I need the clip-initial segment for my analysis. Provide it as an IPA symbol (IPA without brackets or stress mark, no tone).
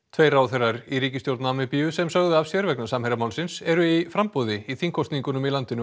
t̪ʰ